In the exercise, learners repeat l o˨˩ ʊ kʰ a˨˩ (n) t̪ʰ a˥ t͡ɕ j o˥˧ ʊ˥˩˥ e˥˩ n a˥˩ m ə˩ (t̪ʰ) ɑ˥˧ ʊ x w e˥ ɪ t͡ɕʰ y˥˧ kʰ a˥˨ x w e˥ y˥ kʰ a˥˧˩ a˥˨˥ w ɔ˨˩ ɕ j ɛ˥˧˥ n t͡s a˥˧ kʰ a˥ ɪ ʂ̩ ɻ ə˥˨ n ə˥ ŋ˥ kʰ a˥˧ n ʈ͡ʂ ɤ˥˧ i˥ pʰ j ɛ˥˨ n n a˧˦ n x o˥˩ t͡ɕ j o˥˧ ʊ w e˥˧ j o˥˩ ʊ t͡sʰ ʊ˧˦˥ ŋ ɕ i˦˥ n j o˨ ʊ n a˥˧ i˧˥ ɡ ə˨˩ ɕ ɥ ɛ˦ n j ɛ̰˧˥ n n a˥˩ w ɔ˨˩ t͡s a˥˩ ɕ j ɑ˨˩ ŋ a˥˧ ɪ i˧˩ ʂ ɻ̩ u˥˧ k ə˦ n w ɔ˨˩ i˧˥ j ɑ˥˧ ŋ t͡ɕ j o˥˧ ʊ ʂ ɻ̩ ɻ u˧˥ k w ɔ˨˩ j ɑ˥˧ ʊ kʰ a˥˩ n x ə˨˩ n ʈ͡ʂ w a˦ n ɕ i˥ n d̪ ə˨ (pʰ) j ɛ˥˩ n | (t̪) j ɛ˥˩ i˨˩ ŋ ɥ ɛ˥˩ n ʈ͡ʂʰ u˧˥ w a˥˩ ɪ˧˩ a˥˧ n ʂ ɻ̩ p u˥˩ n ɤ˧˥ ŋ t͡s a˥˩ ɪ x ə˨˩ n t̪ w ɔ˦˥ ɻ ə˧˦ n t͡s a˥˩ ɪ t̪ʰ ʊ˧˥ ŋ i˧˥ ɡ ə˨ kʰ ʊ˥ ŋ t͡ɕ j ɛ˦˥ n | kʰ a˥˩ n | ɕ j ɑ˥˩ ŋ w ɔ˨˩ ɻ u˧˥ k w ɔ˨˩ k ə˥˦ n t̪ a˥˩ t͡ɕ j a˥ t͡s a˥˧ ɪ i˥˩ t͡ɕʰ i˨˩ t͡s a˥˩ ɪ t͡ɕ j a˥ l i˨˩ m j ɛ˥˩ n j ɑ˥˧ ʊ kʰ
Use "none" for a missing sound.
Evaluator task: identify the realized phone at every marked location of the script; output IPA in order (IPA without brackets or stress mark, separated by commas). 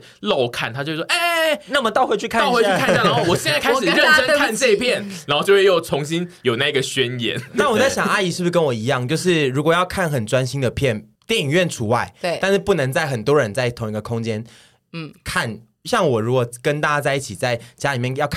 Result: n, t̪, pʰ, t̪